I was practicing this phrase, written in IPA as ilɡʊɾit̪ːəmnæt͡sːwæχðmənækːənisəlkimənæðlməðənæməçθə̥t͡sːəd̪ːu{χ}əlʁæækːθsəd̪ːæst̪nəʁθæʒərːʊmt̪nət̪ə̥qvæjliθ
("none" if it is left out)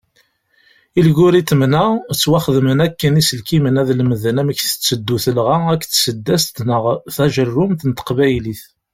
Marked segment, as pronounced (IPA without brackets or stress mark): θ